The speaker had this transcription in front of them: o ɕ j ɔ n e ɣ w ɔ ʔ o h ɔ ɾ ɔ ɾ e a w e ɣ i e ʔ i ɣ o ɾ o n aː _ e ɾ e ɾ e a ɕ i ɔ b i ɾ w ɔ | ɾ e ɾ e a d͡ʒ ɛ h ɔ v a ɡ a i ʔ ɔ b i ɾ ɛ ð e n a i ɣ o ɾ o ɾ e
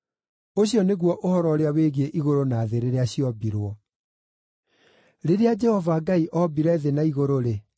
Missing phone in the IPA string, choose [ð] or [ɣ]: ð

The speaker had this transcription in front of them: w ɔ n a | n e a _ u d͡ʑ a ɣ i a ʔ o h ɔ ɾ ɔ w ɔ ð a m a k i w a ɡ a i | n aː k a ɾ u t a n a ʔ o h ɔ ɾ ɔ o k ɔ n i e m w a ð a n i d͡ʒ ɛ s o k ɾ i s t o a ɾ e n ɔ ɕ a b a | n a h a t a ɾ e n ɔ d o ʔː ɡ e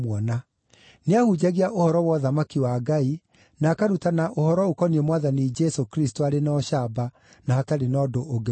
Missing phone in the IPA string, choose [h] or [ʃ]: h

